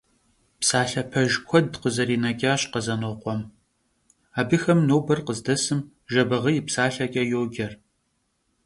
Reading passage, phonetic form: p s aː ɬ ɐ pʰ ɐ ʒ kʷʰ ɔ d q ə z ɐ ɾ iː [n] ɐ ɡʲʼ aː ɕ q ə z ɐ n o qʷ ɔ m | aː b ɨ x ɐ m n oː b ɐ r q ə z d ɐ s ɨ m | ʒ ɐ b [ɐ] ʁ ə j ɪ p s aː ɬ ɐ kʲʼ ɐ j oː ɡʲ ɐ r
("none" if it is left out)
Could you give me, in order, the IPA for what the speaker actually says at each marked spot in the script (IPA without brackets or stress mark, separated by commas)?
n, ɐ